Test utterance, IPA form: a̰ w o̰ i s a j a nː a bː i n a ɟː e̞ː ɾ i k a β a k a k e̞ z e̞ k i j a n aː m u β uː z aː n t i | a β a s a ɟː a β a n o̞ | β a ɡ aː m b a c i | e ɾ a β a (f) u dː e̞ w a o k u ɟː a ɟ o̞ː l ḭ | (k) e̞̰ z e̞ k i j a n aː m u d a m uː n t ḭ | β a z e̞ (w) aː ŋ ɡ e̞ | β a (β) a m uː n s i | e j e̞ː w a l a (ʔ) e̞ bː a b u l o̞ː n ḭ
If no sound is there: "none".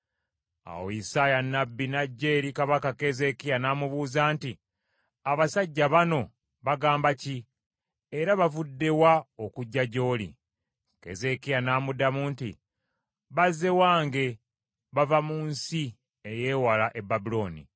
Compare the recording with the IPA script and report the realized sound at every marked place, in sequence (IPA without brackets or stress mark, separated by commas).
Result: v, k, w, v, ʔ